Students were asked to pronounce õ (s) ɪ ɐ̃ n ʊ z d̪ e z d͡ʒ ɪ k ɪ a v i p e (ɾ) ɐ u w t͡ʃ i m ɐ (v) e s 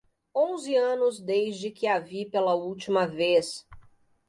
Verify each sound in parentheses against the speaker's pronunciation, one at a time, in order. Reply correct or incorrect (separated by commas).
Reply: incorrect, incorrect, correct